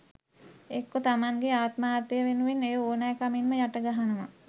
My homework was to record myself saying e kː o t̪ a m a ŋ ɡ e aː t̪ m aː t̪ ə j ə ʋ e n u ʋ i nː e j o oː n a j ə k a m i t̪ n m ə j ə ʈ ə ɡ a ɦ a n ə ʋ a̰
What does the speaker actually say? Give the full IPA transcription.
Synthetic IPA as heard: e kː o t̪ a m a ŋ ɡ e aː t̪ m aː t̪ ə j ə ʋ e n u ʋ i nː e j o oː n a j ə k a m i n m ə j a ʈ ə ɡ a ɦ a n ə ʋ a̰